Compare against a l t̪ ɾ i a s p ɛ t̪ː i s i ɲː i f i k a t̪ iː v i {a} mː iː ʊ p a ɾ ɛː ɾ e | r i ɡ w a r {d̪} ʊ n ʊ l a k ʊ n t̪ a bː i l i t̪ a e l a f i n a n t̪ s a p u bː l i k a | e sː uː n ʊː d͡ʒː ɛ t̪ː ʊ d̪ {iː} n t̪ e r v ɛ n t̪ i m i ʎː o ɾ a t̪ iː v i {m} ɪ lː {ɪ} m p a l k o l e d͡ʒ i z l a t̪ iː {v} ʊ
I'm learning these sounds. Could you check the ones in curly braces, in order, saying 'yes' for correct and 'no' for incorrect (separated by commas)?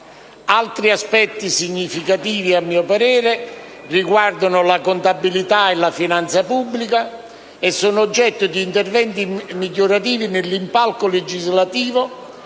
yes, yes, yes, no, no, yes